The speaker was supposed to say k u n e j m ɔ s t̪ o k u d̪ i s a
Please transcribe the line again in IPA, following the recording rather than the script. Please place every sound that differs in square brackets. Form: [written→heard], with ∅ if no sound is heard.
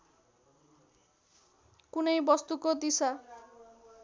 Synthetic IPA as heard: k u n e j [m→b] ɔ s t̪ [o→u] k [u→o] d̪ i s a

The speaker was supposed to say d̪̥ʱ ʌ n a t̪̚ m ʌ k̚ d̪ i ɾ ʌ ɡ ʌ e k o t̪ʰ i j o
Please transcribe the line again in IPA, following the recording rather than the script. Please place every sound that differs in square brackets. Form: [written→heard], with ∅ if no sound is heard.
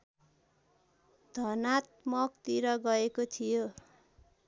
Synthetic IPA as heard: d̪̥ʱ ʌ n a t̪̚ m ʌ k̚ [d̪→t̪] i ɾ ʌ ɡ ʌ e k o t̪ʰ i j o

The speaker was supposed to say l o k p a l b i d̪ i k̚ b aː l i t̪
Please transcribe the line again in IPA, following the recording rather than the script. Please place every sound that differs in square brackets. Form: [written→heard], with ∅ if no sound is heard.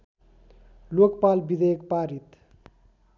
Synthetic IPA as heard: l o k p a l b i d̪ [i→e] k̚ [b→p] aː [l→ɾ] i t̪

